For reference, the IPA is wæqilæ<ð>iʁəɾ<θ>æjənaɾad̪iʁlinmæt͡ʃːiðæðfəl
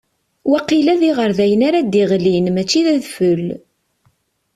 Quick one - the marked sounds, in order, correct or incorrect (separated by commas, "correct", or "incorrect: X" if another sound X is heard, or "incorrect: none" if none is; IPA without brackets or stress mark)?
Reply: correct, incorrect: ð